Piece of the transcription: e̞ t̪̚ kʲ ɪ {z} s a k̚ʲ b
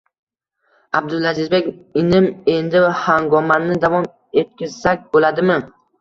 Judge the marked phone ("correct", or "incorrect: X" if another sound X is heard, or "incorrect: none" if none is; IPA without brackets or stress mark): correct